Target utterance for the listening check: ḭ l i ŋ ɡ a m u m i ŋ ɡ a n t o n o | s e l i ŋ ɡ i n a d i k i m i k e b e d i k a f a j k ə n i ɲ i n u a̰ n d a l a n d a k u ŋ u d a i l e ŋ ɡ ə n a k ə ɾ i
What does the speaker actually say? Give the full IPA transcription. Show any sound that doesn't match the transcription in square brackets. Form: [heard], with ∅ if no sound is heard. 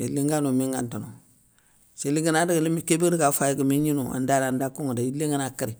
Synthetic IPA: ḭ l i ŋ ɡ a [n] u m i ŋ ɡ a n t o n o | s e l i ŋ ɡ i n a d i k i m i k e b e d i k a f a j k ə [m] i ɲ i n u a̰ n d a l a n d a k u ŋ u d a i l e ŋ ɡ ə n a k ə ɾ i